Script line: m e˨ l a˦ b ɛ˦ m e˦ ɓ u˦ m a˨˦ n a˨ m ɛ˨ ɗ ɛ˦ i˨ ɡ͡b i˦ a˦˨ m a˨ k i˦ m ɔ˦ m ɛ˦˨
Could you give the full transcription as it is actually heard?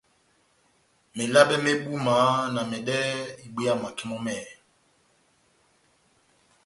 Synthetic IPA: m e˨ l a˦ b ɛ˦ m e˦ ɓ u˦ m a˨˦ n a˨ m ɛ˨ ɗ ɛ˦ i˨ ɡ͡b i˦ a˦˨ m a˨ k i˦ m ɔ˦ m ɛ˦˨

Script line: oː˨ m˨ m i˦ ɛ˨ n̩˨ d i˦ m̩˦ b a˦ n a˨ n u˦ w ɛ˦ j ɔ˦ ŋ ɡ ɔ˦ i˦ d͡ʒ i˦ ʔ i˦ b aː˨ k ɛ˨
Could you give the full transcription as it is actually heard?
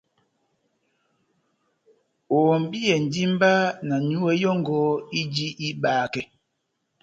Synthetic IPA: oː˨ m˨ b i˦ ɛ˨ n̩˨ d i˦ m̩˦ b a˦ n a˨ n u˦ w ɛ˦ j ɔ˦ ŋ ɡ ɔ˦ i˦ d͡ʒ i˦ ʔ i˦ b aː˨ k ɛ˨

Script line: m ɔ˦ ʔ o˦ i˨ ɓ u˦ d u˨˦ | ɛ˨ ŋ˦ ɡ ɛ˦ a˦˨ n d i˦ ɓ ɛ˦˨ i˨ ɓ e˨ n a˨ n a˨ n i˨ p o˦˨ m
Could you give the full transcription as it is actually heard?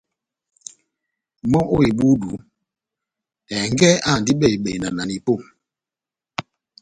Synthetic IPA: m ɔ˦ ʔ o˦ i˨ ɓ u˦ d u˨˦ | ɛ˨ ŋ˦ ɡ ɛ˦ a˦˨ n d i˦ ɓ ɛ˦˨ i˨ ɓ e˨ n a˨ n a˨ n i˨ p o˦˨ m

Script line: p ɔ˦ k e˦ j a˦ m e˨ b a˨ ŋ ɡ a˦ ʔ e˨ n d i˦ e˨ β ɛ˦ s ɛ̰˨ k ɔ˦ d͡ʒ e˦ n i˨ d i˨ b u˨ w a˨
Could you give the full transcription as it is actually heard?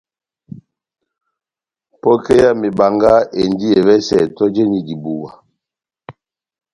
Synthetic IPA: p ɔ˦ k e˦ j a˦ m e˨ b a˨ ŋ ɡ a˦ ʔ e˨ n d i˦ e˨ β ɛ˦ s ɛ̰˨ t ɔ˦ d͡ʒ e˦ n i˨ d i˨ b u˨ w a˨

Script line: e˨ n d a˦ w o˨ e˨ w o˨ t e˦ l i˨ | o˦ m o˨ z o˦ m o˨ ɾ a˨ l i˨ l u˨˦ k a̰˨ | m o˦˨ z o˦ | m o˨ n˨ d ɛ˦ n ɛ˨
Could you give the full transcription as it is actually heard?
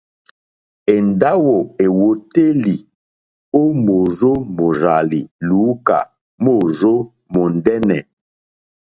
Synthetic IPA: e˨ n d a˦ w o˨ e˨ w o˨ t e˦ l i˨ | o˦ m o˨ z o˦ m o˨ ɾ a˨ l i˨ l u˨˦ k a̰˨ | m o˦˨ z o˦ | m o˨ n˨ d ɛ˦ n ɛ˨

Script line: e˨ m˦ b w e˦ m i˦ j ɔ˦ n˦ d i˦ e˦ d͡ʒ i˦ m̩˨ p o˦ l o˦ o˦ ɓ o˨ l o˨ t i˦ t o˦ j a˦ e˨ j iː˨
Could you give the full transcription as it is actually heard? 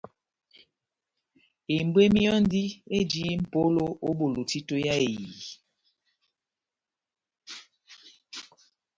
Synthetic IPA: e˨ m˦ b w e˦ m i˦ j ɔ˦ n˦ d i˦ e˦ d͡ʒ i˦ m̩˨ p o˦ l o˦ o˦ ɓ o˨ l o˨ t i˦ t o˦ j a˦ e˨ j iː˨

